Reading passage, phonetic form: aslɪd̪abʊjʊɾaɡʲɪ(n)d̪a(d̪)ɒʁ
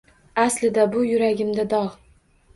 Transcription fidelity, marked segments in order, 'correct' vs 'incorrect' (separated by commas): incorrect, correct